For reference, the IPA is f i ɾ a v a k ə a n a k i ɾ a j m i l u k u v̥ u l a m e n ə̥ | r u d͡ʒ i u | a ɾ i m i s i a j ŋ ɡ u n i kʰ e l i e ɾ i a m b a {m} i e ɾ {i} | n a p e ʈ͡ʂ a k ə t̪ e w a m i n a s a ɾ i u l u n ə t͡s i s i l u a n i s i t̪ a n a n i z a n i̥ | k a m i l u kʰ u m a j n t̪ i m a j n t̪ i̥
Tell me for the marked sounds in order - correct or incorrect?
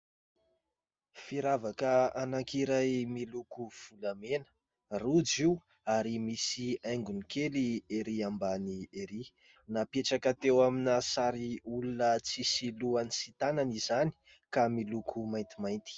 incorrect, correct

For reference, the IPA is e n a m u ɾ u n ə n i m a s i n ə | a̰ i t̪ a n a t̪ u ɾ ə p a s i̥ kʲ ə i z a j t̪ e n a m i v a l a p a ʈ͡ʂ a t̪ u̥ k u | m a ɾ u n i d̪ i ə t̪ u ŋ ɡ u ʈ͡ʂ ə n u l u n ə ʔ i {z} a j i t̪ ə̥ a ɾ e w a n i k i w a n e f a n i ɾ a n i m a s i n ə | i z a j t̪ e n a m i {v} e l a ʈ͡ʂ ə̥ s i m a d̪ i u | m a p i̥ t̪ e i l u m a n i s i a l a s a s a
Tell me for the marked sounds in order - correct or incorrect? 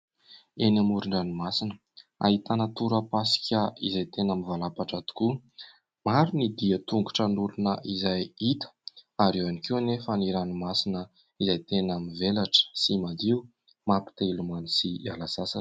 correct, correct

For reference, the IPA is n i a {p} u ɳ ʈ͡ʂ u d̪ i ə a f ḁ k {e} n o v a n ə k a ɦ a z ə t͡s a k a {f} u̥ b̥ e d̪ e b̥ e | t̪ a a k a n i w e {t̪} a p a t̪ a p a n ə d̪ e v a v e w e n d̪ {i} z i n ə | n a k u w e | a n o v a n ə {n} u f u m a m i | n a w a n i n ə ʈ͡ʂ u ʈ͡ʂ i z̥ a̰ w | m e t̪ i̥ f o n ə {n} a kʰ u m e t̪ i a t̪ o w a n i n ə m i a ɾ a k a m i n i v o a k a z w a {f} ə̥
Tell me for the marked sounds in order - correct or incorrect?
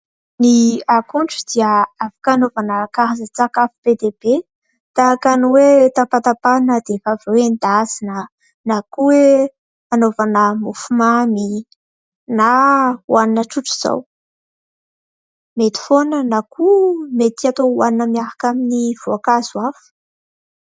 incorrect, incorrect, correct, correct, incorrect, incorrect, correct, correct

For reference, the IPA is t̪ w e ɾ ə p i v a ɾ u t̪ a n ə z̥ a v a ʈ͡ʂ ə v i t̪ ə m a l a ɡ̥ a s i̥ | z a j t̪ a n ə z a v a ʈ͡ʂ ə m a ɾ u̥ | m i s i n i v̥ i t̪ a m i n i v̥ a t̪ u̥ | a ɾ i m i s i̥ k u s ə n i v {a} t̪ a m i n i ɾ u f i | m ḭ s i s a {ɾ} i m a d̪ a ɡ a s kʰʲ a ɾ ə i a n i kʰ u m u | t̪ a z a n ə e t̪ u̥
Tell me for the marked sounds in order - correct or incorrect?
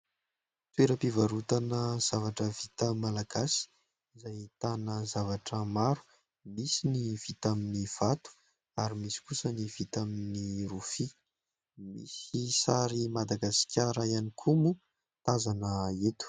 incorrect, correct

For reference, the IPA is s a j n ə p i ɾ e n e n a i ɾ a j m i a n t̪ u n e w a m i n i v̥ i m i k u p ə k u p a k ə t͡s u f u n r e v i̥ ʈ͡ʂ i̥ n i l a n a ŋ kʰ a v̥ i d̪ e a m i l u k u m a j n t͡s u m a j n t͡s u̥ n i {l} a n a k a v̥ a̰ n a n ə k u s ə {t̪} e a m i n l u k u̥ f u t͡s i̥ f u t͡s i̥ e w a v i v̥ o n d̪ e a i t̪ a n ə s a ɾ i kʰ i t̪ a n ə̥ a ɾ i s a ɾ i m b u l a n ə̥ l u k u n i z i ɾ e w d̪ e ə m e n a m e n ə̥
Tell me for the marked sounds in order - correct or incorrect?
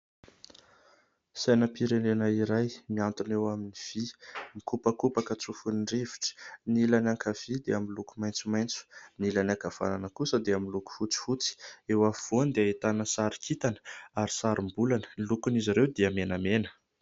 correct, incorrect

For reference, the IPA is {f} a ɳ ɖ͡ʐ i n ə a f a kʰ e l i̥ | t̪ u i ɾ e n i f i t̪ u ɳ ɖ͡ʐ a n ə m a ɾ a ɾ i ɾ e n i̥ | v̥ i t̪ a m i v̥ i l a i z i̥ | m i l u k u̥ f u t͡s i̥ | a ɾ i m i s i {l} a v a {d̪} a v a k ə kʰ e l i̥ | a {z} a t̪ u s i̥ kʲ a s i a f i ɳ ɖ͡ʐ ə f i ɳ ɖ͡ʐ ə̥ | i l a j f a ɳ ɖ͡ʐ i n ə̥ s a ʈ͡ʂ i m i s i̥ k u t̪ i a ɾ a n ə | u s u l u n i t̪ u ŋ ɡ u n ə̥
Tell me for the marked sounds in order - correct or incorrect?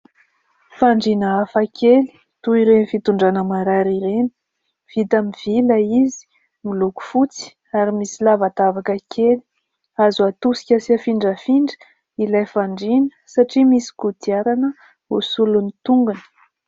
correct, correct, incorrect, correct

